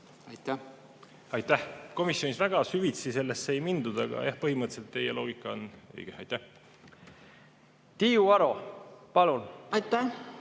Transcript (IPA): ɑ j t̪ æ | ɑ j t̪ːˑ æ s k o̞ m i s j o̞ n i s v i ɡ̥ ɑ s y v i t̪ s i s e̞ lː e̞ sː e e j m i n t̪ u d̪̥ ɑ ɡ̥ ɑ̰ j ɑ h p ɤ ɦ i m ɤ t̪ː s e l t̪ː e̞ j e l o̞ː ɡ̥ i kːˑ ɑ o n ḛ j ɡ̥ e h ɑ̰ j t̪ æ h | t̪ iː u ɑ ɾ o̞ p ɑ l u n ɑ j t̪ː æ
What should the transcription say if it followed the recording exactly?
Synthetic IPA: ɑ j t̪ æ | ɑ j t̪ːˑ æ h k o̞ m i s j o̞ n i s v æ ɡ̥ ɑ s y v i t̪ s i s e̞ lː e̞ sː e e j m i n d̪ u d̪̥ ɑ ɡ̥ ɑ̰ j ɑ h p ɤ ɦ i m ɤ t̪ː s e l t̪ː e̞ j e l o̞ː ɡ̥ i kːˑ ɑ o n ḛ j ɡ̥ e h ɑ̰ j t̪ æ h | t̪ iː u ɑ ɾ o̞ p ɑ l u n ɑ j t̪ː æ